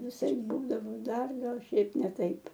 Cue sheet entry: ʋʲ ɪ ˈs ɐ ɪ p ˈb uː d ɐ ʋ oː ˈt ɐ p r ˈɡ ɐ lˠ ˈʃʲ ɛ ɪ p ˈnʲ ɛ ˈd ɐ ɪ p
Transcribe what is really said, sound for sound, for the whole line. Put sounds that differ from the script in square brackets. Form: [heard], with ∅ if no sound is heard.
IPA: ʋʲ ɪ ˈs ɐ ɪ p ˈb uː d ɐ ʋ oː [ˈd] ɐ [∅] r ˈɡ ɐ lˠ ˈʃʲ ɛ ɪ p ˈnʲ ɛ [ˈt] ɐ ɪ p